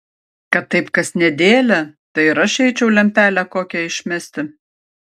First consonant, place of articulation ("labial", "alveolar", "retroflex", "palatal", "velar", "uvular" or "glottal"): velar